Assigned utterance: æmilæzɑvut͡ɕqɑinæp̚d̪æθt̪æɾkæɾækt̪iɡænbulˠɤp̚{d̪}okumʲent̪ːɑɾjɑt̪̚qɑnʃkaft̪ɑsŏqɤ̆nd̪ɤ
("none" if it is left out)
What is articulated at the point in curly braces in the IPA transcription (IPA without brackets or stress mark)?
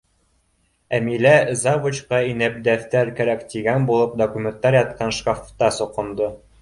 d̪